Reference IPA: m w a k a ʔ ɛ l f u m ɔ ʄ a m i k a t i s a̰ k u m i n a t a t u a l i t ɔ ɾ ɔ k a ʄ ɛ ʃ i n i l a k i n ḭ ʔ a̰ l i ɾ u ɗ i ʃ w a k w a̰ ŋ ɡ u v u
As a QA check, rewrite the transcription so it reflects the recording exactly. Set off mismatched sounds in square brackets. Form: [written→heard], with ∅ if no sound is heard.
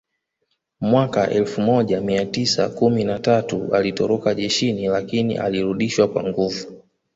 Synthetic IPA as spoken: m w a k a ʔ ɛ l f u m ɔ ʄ a m i [k→∅] a t i s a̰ k u m i n a t a t u a l i t ɔ ɾ ɔ k a ʄ ɛ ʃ i n i l a k i n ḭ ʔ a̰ l i ɾ u ɗ i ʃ w a k w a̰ ŋ ɡ u v u

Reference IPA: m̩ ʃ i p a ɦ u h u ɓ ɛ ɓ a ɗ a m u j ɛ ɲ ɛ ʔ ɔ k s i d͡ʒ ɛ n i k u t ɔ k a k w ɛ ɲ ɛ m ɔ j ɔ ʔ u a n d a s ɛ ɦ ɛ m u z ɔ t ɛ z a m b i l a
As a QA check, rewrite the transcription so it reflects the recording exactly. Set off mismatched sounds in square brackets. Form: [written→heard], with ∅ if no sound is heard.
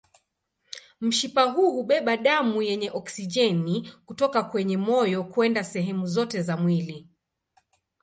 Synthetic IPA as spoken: m̩ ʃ i p a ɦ u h u ɓ ɛ ɓ a ɗ a m u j ɛ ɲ ɛ ʔ ɔ k s i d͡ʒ ɛ n i k u t ɔ k a k w ɛ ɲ ɛ m ɔ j ɔ [ʔ→k] u [a→ɛ] n d a s ɛ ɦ ɛ m u z ɔ t ɛ z a m [b→w] i l [a→i]

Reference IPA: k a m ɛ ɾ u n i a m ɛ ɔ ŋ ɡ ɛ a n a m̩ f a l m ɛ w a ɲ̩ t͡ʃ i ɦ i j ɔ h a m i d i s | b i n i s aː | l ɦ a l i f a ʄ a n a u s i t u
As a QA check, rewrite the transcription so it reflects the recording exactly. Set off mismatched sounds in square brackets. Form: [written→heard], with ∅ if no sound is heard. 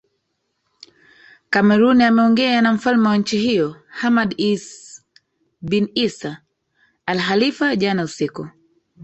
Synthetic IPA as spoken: k a m ɛ ɾ u n i a m ɛ ɔ ŋ ɡ ɛ a n a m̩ f a l m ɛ w a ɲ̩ t͡ʃ i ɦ i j ɔ h a m [i→a] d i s | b i n i s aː | l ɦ a l i f a ʄ a n a u s i [t→k] u

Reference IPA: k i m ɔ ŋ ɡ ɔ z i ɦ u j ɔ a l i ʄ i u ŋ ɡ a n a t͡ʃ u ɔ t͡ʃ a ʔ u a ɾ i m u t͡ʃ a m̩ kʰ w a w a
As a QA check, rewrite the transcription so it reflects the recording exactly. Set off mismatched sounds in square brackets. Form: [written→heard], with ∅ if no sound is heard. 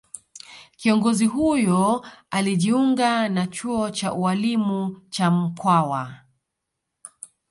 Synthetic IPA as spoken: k i [m→∅] ɔ ŋ ɡ ɔ z i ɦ u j ɔ a l i ʄ i u ŋ ɡ a n a t͡ʃ u ɔ t͡ʃ a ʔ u a [ɾ→l] i m u t͡ʃ a m̩ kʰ w a w a

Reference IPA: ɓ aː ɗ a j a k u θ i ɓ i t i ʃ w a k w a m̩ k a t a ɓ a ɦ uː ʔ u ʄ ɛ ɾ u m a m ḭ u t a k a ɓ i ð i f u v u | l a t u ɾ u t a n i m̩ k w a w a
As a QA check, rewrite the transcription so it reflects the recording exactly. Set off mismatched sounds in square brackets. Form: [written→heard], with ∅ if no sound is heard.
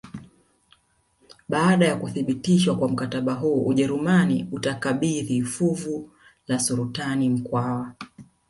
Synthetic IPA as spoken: ɓ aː ɗ a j a k u θ i ɓ i t i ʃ w a k w a m̩ k a t a ɓ a ɦ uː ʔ u ʄ ɛ ɾ u m a [m→n] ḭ u t a k a ɓ i ð i f u v u | l a [t→s] u ɾ u t a n i m̩ k w a w a

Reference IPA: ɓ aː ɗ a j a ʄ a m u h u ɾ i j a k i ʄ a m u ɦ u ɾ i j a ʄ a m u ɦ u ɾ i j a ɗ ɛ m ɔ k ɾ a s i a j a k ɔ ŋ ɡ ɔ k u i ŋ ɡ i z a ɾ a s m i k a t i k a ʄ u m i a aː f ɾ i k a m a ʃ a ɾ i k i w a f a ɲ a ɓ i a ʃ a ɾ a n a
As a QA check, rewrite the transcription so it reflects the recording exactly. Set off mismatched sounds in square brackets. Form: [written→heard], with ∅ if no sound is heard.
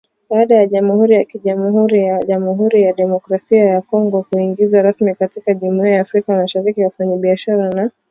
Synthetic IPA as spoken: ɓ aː ɗ a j a ʄ a m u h u ɾ i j a k i ʄ a m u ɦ u ɾ i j a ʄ a m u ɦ u ɾ i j a ɗ ɛ m ɔ k ɾ a s i a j a k ɔ ŋ ɡ ɔ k u i ŋ ɡ i z a ɾ a s m i k a t i k a ʄ u m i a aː f ɾ i k a m a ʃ a ɾ i k i w a f a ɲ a ɓ i a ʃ a ɾ a n a

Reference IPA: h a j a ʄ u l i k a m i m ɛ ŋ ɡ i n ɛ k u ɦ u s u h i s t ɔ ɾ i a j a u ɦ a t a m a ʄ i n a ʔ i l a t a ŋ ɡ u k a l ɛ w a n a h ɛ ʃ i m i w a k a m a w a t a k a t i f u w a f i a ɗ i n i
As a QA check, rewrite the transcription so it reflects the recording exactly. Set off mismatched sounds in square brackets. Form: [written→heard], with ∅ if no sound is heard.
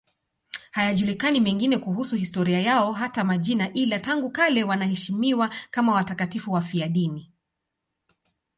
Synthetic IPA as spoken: h a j a ʄ u l i k a [m→n] i m ɛ ŋ ɡ i n ɛ k u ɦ u s u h i s t ɔ ɾ i a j a [u→ɔ] ɦ a t a m a ʄ i n a ʔ i l a t a ŋ ɡ u k a l ɛ w a n a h ɛ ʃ i m i w a k a m a w a t a k a t i f u w a f i a ɗ i n i

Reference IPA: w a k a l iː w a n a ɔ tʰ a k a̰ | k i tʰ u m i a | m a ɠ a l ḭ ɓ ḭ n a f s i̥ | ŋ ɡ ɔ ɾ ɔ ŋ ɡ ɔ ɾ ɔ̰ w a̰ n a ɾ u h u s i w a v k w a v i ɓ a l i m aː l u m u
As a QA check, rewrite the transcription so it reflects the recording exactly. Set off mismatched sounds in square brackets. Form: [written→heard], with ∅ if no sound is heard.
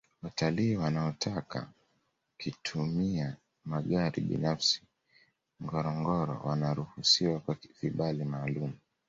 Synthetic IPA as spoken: w a [k→t] a l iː w a n a ɔ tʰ a k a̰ | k i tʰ u m i a | m a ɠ a [l→ɾ] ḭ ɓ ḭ n a f s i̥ | ŋ ɡ ɔ ɾ ɔ ŋ ɡ ɔ ɾ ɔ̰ w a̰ n a ɾ u h u s i w a [v→∅] k w a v i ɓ a l i m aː l u m u

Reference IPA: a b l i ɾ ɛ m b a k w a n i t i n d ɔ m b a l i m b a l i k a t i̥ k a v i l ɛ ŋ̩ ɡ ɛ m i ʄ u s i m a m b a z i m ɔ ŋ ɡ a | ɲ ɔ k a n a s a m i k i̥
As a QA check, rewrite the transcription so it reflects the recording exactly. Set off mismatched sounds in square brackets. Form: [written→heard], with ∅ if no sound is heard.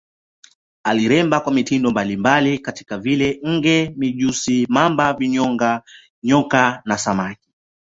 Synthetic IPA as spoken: a [b→∅] l i ɾ ɛ m b a k w a [n→m] i t i n d ɔ m b a l i m b a l i k a t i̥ k a v i l ɛ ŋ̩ ɡ ɛ m i ʄ u s i m a m b a [z→v] i [m→ɲ] ɔ ŋ ɡ a | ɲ ɔ k a n a s a m [i→a] k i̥

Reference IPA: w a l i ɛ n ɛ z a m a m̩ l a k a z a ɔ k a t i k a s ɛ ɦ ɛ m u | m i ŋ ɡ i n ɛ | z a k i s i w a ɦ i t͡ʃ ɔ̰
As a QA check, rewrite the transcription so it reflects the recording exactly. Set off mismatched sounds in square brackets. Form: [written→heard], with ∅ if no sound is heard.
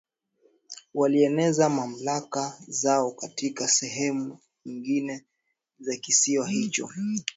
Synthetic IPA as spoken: w a l i ɛ n ɛ z a m a m̩ l a k a z a ɔ k a t i k a s ɛ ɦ ɛ m u | [m→ɲ] i ŋ ɡ i n ɛ | z a k i s i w a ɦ i t͡ʃ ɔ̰

